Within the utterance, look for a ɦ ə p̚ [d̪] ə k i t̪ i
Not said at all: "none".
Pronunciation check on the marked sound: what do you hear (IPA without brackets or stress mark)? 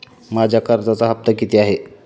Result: t̪